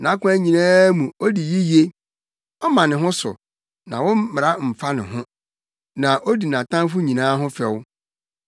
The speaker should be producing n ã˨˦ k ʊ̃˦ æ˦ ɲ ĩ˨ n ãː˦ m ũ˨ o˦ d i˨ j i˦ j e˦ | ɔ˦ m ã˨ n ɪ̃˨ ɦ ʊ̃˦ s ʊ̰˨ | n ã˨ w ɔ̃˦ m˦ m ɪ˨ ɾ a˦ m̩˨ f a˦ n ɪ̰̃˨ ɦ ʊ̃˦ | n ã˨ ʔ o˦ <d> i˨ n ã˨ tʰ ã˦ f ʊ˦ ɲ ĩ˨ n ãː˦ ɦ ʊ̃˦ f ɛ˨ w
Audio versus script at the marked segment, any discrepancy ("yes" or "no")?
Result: no